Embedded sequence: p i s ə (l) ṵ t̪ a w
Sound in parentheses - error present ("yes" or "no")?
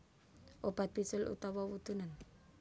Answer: no